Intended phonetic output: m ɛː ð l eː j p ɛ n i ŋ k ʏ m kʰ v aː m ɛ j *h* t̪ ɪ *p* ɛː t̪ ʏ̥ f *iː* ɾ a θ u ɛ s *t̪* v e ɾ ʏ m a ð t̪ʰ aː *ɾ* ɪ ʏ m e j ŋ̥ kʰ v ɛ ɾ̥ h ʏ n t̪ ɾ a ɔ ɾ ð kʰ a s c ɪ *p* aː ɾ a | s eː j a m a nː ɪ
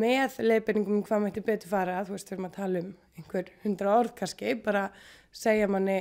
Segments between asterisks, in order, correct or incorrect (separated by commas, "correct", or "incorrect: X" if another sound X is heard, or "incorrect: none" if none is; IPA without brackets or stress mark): correct, correct, incorrect: aː, correct, incorrect: l, correct